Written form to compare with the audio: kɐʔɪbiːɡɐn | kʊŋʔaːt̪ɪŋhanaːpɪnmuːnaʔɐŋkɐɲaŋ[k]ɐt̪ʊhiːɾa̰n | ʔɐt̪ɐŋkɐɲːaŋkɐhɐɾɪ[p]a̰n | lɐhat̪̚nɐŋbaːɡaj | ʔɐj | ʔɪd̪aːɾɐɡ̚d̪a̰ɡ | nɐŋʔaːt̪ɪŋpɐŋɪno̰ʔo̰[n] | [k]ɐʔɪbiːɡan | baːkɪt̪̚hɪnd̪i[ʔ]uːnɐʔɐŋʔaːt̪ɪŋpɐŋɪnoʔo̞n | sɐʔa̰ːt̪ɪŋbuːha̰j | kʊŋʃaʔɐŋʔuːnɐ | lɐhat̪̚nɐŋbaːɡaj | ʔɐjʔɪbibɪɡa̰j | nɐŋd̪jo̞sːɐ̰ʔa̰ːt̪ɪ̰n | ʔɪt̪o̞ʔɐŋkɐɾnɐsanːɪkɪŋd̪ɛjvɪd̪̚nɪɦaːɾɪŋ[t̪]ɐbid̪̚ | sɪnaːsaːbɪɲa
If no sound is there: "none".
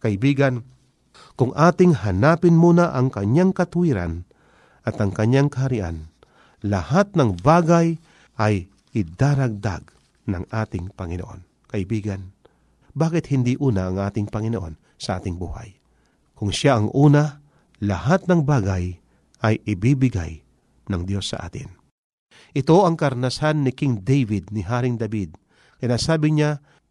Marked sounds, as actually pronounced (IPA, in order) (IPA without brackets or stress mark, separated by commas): k, ʔ, n, k, ʔ, d̪